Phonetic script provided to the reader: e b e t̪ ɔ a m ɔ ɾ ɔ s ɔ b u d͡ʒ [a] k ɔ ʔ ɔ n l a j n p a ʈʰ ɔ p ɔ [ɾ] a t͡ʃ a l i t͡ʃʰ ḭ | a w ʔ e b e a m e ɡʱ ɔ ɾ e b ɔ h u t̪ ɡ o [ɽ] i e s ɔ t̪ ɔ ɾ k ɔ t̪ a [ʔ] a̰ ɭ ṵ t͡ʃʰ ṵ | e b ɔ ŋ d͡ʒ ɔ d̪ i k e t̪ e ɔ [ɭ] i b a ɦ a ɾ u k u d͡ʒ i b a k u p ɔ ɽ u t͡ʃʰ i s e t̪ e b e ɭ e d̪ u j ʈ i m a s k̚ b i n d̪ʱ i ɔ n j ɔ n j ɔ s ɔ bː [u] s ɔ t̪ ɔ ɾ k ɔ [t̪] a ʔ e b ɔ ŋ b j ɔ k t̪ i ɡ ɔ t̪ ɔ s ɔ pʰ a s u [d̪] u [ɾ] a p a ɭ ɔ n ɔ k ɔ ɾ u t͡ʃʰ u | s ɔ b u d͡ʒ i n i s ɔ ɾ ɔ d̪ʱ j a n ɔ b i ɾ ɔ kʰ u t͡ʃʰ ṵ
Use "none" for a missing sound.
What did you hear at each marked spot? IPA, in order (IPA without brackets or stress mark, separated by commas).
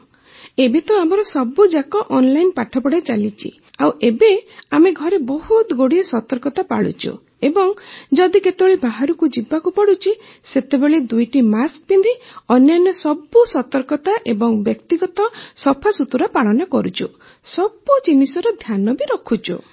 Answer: a, ɽ, ɽ, p, ɭ, u, t̪, t̪, ɾ